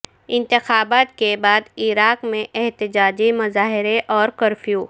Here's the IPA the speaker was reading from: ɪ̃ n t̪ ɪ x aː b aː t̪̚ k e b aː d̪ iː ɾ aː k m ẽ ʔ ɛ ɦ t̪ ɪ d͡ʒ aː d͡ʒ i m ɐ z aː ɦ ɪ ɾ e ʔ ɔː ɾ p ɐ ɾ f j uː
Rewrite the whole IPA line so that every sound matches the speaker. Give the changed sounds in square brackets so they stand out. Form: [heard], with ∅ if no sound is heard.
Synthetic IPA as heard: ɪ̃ n t̪ ɪ x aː b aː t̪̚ k e b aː d̪ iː ɾ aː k m ẽ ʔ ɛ ɦ t̪ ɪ d͡ʒ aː d͡ʒ i m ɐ z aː ɦ ɪ ɾ e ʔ ɔː ɾ [k] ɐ ɾ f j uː

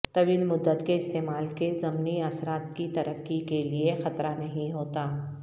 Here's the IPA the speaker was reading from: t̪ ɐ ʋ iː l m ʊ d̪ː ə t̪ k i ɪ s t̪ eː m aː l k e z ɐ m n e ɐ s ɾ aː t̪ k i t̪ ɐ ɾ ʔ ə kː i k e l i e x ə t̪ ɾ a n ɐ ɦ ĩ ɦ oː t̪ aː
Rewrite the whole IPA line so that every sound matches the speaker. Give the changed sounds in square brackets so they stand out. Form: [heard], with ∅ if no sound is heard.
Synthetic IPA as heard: t̪ ɐ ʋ iː l m ʊ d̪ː ə t̪ k [e] ɪ s t̪ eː m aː l k e z ɐ m n [i] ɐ s ɾ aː t̪ k i t̪ ɐ ɾ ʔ ə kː i k e l i e x [ɐ] t̪ ɾ a n ɐ ɦ ĩ ɦ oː t̪ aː

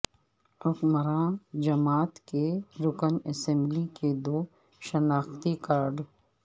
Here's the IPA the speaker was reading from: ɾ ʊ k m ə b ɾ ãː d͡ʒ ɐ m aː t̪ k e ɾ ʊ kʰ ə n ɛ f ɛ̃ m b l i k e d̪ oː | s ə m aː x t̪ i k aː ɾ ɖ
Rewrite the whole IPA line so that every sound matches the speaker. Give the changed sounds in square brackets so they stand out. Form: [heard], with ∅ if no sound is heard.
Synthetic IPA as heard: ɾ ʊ k m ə [∅] ɾ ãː d͡ʒ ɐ m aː t̪ k e ɾ ʊ [k] ə n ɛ [s] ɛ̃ m b l i k e d̪ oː | [ʃ] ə [n] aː x t̪ i k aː ɾ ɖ

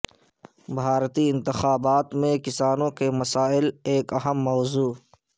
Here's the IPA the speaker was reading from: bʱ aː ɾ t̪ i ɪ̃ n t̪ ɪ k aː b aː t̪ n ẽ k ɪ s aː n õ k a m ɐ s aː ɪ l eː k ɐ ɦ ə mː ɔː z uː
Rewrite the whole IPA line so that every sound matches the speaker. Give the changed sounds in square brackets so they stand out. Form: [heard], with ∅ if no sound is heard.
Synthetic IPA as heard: bʱ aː ɾ t̪ i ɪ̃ n t̪ ɪ [x] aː b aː t̪ [m] ẽ k ɪ s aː n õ k [e] m ɐ s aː ɪ l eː k ɐ ɦ ə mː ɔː z uː

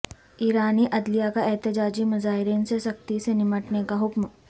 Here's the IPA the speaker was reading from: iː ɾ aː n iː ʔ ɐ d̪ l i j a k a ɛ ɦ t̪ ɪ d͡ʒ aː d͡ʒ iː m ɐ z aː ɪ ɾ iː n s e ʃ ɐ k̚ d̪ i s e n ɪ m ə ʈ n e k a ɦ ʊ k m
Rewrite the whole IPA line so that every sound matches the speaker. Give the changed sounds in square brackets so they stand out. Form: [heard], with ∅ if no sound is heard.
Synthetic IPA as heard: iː ɾ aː n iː ʔ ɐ d̪ l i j a k a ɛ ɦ t̪ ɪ d͡ʒ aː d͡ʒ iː m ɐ z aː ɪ ɾ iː n s e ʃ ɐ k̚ [t̪] i s e n ɪ m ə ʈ n e k a ɦ ʊ k m

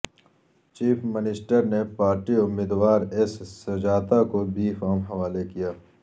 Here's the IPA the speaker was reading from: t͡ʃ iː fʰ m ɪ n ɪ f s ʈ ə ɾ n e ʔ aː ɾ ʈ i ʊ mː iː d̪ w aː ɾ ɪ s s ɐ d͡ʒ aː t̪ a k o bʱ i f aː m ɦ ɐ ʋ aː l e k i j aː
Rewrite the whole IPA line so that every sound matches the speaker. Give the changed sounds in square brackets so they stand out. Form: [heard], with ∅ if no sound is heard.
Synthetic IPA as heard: t͡ʃ iː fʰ m ɪ n ɪ [∅] s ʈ ə ɾ n e [p] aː ɾ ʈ i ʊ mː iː d̪ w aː ɾ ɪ s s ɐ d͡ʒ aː t̪ a k o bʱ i f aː m ɦ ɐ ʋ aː l e k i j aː

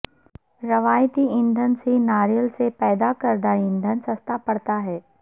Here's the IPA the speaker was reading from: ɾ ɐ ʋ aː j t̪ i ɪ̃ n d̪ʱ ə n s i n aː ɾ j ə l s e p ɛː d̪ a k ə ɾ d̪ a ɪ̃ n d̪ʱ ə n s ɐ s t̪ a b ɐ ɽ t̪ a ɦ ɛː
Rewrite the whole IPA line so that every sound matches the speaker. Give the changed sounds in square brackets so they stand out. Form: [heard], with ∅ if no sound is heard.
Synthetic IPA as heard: ɾ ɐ ʋ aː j t̪ i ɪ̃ n d̪ʱ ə n s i n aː ɾ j ə l s e p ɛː d̪ a k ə ɾ d̪ a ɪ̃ n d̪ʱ ə n s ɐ s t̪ a [p] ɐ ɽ t̪ a ɦ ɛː

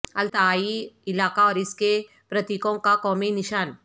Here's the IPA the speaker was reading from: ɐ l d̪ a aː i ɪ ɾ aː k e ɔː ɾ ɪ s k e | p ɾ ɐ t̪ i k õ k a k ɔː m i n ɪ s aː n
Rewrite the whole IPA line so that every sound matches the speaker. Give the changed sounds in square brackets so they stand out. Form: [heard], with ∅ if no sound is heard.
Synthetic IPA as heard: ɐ l [t̪] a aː i ɪ [l] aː k [a] ɔː ɾ ɪ s k e | p ɾ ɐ t̪ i k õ k a k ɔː m i n ɪ [ʃ] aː n

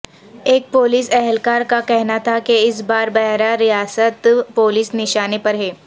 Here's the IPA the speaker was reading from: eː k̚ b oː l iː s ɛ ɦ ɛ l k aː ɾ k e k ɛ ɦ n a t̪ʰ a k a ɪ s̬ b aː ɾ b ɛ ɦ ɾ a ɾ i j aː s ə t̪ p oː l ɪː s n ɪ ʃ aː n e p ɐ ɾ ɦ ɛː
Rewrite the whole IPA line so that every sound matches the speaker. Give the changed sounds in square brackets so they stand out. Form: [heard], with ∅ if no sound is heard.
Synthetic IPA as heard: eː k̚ [p] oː l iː s ɛ ɦ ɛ l k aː ɾ k [a] k ɛ ɦ n a t̪ʰ a k [e] ɪ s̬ b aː ɾ b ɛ ɦ ɾ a ɾ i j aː s ə t̪ p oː l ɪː s n ɪ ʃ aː n e p ɐ ɾ ɦ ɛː

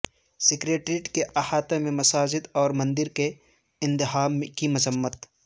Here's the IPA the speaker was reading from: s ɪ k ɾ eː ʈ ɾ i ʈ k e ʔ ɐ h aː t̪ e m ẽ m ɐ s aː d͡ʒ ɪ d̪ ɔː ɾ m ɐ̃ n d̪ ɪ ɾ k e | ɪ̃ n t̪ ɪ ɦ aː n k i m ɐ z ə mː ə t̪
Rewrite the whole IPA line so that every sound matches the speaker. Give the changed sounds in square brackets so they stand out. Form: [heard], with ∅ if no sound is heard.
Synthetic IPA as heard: s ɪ k ɾ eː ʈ ɾ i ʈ k e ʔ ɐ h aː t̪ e m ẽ m ɐ s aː d͡ʒ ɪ d̪ ɔː ɾ m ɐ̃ n d̪ ɪ ɾ k e | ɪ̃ n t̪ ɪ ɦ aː [m] k i m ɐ z ə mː ə t̪

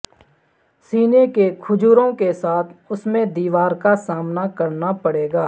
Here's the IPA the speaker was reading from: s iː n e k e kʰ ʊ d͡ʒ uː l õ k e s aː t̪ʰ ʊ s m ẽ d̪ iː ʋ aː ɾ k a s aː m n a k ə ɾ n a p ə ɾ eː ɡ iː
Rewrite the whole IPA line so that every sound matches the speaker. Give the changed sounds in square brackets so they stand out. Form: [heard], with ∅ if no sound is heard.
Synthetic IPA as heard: s iː n e k e kʰ ʊ d͡ʒ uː [ɾ] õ k e s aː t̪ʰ ʊ s m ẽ d̪ iː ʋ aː ɾ k a s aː m n a k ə ɾ n a p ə [ɽ] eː ɡ [aː]

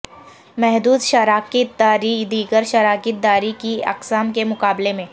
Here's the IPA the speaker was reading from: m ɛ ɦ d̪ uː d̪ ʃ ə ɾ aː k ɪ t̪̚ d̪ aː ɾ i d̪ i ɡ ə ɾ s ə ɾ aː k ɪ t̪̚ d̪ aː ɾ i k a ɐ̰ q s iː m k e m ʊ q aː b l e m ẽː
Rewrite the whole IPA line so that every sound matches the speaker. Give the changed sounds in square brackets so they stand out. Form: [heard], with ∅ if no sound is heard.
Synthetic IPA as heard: m ɛ ɦ d̪ uː d̪ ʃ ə ɾ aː k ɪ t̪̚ d̪ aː ɾ i d̪ [iː] ɡ ə ɾ [ʃ] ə ɾ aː k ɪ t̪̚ d̪ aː ɾ i k [i] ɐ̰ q s [aː] m k e m ʊ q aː b l e m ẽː

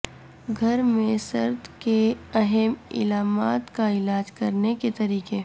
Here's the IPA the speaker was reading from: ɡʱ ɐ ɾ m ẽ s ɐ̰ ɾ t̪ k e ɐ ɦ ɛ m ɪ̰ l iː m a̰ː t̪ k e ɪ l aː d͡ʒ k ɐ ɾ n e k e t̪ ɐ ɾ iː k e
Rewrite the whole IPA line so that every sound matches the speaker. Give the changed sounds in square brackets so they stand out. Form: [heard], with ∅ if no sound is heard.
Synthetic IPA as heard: ɡʱ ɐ ɾ m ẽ s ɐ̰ ɾ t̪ k e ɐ ɦ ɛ m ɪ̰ l [aː] m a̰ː t̪ k [a] ɪ l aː d͡ʒ k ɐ ɾ n e k e t̪ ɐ ɾ iː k e

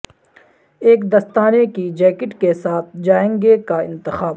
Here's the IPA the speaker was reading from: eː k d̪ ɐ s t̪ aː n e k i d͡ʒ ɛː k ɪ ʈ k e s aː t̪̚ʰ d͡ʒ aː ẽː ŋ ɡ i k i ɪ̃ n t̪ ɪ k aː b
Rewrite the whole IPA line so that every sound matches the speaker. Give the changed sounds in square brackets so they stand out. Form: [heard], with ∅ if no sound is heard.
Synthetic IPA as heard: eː k d̪ ɐ s t̪ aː n e k i d͡ʒ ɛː k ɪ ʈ k e s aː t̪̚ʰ d͡ʒ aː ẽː ŋ ɡ [e] k [a] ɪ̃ n t̪ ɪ [x] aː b

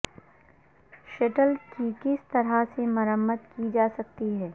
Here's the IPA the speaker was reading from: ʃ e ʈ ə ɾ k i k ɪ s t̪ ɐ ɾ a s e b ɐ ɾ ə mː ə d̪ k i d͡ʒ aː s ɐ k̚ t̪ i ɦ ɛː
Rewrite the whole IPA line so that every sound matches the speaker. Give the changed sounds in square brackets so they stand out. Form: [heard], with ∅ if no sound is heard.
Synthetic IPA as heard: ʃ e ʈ ə [l] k i k ɪ s t̪ ɐ ɾ a s e [m] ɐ ɾ ə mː ə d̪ k i d͡ʒ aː s ɐ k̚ t̪ i ɦ ɛː

